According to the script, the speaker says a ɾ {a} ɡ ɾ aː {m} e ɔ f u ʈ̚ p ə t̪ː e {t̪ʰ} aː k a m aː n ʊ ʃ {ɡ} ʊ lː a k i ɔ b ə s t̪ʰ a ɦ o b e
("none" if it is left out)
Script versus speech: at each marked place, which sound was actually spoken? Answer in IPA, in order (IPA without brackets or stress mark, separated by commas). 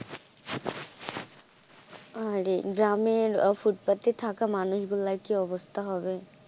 e, m, t̪ʰ, ɡ